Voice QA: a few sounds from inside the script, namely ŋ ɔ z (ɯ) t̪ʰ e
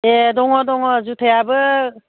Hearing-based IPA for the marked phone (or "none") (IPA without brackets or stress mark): u